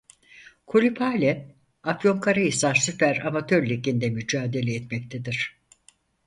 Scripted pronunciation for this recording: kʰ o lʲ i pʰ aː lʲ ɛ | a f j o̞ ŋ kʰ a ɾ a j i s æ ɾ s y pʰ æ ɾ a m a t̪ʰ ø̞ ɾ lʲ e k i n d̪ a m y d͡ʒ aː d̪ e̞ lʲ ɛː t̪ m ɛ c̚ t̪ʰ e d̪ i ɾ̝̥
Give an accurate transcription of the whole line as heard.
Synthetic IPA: kʰ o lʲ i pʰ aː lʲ ɛ | a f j o̞ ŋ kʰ a ɾ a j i s a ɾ s y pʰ æ ɾ a m a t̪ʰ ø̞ ɾ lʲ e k i n d̪ ɛ m y d͡ʒ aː d̪ e̞ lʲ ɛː t̪ m ɛ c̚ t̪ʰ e d̪ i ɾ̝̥